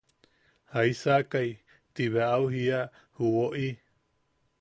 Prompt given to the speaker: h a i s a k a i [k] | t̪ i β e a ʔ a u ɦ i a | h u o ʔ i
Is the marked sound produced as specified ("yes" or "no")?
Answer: no